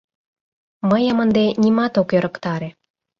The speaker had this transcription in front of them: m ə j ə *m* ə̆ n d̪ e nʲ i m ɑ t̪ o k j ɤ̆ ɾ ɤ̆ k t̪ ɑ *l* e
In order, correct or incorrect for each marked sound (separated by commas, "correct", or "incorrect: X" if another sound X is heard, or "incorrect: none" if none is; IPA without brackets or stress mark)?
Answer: correct, incorrect: ɾ